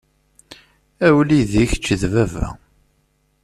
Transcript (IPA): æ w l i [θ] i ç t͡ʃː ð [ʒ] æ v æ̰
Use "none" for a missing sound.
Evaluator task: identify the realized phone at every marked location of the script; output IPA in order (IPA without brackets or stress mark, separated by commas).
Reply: ð, v